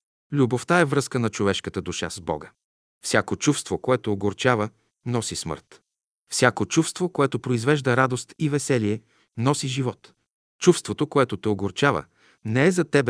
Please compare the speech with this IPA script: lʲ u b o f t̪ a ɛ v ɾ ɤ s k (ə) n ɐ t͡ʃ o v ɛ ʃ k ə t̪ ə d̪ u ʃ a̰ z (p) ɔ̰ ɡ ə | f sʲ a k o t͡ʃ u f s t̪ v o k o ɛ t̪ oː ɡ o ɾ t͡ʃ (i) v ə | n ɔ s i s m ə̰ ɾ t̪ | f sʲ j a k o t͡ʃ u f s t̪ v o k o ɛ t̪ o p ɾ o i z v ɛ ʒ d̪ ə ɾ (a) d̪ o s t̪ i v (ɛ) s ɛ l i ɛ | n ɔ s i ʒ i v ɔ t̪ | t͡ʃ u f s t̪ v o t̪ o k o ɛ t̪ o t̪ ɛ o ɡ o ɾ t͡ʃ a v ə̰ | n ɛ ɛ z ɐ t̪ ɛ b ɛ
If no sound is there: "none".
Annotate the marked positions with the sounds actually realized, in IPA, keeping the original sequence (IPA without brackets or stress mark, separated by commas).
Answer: ə, b, a, a, ɛ